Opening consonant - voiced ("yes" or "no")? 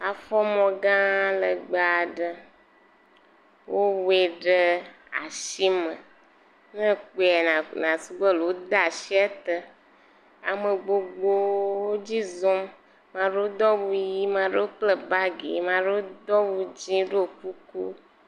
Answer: no